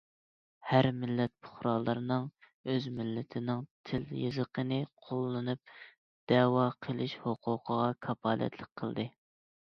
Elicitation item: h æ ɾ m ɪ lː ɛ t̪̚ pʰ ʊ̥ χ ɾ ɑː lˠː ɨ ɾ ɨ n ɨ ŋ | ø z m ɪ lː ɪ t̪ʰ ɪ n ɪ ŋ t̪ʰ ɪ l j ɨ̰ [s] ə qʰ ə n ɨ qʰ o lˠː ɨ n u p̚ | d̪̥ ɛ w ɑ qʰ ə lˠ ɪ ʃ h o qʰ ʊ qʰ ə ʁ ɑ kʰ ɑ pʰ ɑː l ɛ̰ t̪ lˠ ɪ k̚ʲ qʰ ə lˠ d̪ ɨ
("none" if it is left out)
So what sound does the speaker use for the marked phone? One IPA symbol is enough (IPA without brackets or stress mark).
z